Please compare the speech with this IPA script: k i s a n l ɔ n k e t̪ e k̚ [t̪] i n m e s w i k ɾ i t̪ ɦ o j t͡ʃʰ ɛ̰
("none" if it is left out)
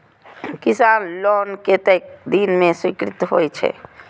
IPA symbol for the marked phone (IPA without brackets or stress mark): d̪